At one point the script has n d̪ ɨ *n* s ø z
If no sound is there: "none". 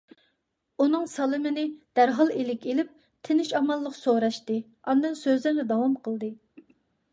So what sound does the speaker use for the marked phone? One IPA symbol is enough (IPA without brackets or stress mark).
n